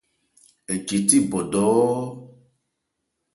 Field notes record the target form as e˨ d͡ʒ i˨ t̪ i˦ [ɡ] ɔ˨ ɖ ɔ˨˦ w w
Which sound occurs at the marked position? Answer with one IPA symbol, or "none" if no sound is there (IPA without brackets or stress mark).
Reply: b